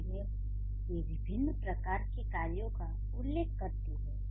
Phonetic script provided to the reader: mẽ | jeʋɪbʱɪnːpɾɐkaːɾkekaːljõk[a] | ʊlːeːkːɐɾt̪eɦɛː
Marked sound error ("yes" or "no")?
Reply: no